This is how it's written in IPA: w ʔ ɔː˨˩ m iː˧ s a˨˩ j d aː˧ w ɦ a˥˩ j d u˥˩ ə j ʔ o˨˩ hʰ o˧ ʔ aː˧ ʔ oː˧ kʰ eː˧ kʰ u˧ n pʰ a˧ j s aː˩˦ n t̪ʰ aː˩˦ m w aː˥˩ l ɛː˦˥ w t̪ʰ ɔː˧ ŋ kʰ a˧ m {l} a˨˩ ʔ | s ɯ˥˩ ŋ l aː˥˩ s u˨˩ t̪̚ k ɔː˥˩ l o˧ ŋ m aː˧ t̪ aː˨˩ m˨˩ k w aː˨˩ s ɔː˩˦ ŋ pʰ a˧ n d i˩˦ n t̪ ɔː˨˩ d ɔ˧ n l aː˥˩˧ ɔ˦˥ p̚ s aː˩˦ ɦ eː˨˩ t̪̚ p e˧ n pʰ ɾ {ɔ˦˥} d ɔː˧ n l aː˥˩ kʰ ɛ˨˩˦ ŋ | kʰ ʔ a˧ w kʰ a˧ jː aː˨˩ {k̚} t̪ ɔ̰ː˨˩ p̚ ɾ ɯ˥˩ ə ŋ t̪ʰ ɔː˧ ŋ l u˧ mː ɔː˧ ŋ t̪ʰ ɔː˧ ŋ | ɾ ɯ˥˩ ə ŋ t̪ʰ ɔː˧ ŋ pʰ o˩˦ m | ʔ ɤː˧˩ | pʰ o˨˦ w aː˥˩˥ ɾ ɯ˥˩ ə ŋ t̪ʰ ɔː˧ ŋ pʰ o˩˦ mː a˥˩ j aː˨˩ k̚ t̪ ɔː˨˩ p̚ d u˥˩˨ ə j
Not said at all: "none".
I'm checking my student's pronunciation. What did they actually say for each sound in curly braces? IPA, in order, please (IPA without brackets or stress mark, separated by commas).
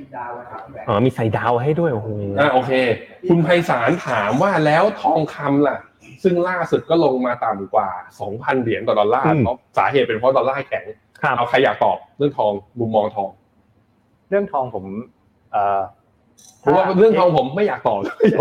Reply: l, ɔ˦˥, k̚